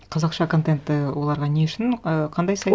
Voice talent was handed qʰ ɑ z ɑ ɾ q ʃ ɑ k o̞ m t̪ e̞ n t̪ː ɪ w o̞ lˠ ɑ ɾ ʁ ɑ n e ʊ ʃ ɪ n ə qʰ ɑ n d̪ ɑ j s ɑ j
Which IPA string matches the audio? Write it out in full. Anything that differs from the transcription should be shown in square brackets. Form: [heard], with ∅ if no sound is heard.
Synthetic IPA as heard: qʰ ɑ z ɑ [∅] q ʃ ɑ k o̞ [n] t̪ e̞ n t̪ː ɪ w o̞ lˠ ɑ ɾ ʁ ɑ n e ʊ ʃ ɪ n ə qʰ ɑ n d̪ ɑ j s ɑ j